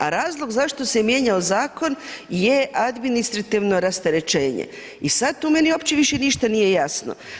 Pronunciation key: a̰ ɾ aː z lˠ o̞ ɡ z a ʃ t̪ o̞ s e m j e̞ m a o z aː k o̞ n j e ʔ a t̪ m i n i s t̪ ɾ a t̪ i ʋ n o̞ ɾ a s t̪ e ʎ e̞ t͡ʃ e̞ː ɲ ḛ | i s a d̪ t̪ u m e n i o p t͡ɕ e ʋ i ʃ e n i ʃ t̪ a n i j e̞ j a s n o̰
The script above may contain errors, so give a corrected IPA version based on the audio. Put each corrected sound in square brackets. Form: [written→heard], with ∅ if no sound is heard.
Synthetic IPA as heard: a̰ ɾ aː z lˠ o̞ ɡ z a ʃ t̪ o̞ s e m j e̞ [m→ɲ] a o z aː k o̞ n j e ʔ a [t̪→d̪] m i n i s t̪ ɾ a t̪ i ʋ n o̞ ɾ a s t̪ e [ʎ→ɾ] e̞ t͡ʃ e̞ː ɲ ḛ | i s a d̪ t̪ u m e n i o p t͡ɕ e ʋ i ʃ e n i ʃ t̪ a n i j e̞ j a s n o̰